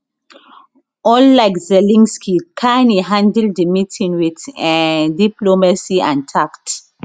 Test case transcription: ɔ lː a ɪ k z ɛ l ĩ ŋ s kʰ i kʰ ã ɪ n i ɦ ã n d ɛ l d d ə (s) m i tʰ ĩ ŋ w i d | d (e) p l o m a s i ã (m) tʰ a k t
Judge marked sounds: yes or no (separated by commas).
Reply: no, no, no